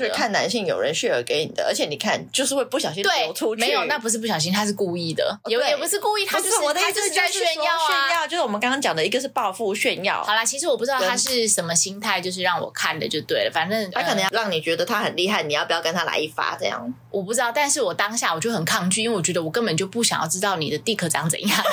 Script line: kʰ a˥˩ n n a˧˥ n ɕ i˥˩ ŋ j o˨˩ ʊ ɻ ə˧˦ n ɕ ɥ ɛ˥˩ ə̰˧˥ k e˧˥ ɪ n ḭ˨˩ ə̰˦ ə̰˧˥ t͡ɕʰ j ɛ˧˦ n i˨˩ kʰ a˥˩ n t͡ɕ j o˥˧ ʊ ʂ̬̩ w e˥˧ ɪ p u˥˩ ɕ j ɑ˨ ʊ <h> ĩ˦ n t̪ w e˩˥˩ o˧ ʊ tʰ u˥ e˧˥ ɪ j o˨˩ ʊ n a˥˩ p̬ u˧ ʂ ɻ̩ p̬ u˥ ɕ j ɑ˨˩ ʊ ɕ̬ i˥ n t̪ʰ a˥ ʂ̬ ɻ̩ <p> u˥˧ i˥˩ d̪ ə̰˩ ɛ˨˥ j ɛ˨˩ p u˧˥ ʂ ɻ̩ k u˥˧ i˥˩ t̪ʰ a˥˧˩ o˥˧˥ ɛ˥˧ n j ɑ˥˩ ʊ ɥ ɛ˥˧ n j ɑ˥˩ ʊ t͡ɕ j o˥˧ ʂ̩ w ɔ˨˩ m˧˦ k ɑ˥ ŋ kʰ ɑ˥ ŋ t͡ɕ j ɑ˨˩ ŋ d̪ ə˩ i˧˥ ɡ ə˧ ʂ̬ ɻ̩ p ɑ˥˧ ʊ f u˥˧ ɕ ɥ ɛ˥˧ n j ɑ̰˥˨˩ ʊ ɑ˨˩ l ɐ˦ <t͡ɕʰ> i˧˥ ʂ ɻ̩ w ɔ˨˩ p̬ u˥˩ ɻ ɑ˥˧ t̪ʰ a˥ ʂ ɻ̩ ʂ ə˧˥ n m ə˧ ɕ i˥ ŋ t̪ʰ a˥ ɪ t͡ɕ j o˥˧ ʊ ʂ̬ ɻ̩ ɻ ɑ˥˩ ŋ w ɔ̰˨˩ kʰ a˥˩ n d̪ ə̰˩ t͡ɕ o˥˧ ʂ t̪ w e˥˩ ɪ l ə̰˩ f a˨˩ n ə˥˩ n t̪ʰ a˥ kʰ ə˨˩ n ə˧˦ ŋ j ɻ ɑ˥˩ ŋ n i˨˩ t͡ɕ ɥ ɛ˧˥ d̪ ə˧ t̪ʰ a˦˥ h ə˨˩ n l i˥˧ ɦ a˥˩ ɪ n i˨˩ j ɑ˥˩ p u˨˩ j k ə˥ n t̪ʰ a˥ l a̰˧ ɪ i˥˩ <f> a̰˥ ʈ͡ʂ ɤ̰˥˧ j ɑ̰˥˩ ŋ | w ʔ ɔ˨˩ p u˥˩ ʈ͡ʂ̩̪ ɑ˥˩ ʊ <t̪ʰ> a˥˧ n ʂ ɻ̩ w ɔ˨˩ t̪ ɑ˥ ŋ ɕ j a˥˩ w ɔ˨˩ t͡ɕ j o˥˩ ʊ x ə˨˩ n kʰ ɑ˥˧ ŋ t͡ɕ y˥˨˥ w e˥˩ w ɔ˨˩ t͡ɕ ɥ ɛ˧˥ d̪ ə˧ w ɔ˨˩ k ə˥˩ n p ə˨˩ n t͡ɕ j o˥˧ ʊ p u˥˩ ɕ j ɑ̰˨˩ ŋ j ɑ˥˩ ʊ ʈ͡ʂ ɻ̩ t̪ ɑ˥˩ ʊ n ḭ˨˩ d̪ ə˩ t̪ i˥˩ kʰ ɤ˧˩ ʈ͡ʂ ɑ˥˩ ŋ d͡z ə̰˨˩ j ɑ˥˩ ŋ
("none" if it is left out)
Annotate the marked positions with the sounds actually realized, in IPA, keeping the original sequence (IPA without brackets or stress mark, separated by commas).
ɕ, k, t͡ɕʰ, f, t̪